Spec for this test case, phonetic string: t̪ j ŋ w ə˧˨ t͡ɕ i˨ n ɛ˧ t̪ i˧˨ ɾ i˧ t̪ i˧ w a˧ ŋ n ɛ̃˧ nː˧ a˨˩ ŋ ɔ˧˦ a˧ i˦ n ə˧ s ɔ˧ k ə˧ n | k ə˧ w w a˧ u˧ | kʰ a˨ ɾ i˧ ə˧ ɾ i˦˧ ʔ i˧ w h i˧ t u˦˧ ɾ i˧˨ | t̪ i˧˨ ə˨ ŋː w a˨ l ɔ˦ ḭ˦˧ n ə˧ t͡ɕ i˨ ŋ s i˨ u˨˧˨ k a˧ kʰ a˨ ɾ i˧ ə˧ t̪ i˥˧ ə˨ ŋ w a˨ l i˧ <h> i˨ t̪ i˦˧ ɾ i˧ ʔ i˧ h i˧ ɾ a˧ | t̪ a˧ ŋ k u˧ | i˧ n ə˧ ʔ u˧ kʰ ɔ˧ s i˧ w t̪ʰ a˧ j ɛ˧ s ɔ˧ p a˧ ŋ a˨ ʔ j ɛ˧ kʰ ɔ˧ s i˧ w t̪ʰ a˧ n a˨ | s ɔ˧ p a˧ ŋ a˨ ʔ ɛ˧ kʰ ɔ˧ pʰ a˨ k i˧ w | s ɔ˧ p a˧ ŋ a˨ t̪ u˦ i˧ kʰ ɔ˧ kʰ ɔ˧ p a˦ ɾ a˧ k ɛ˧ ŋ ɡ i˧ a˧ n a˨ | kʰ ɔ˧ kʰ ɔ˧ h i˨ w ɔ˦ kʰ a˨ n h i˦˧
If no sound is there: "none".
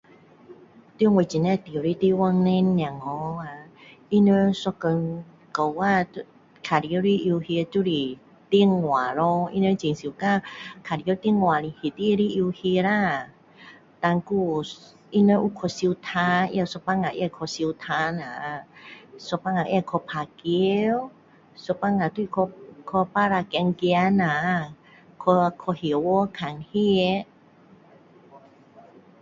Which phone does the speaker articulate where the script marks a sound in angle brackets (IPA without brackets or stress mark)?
h